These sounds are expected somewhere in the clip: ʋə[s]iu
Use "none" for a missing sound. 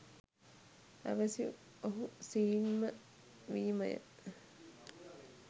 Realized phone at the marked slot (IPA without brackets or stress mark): s